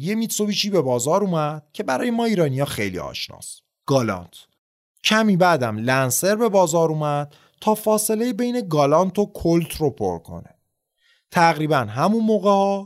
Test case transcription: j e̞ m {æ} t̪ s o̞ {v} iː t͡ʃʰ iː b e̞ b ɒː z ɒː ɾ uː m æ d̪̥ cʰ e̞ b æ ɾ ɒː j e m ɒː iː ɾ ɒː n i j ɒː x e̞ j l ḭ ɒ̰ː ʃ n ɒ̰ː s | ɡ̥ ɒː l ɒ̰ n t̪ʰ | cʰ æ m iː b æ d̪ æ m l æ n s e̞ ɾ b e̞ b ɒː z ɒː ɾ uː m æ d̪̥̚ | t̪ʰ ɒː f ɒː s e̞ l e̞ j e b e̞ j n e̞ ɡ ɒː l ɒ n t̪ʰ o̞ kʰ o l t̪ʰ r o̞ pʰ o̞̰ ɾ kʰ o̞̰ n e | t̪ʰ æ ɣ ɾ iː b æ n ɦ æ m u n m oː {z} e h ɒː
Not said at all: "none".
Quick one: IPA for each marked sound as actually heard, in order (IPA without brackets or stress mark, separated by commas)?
i, v, ɣ